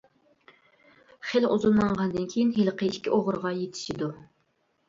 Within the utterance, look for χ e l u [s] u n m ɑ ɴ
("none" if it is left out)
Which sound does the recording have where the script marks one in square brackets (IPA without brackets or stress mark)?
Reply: z